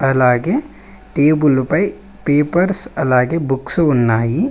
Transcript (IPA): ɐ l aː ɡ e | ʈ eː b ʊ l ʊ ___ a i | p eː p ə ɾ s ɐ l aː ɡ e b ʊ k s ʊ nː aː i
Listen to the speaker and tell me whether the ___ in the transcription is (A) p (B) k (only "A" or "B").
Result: A